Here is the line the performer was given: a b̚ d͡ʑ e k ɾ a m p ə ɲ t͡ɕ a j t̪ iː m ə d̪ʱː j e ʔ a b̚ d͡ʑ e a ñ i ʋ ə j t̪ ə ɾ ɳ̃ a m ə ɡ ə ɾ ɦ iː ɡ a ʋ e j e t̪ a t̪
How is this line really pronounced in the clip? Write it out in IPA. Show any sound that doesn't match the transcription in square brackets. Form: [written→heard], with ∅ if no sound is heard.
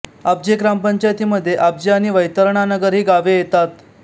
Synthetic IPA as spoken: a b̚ d͡ʑ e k ɾ a m p ə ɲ t͡ɕ a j t̪ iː m ə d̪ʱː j e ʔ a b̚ d͡ʑ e a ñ i ʋ ə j t̪ ə ɾ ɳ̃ a [m→n] ə ɡ ə ɾ ɦ iː ɡ a ʋ e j e t̪ a t̪